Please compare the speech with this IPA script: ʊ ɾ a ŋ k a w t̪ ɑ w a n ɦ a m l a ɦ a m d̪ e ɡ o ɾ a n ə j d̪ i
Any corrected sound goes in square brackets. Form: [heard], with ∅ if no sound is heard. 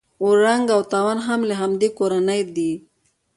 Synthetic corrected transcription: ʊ ɾ a ŋ [ɡ] a w t̪ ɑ w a n ɦ a m l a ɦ a m d̪ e [k] o ɾ a n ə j d̪ i